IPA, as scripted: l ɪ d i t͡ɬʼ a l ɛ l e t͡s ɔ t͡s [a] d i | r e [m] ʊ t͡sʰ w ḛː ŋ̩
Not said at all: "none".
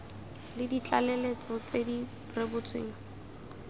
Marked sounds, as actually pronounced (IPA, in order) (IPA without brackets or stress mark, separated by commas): e, b